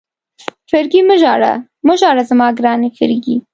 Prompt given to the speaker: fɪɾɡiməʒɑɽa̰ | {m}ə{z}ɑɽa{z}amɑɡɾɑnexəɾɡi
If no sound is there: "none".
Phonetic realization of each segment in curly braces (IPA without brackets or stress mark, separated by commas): m, ʒ, z